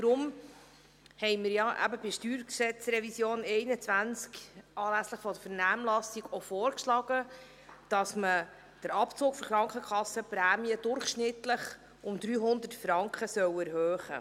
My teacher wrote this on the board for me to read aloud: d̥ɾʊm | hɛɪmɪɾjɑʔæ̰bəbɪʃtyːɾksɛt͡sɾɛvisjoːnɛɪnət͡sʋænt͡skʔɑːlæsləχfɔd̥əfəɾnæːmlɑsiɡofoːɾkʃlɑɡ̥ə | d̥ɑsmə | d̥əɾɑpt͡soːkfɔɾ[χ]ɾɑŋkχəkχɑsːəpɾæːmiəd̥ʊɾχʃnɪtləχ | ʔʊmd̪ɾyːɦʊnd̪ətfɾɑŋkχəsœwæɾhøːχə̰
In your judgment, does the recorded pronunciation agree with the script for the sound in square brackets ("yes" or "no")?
yes